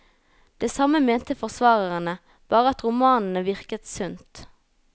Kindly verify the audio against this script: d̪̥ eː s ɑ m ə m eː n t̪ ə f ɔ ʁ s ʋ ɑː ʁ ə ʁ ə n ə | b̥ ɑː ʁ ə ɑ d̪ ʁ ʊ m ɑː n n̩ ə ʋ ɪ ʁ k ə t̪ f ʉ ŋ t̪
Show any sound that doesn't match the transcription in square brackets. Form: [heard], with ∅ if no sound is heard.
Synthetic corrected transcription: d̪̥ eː s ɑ m ə m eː n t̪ ə f ɔ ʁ s ʋ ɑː ʁ ə ʁ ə n ə | b̥ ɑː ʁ ə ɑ [t̪] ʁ ʊ m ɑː n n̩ ə ʋ ɪ ʁ k ə t̪ [s] ʉ [n] t̪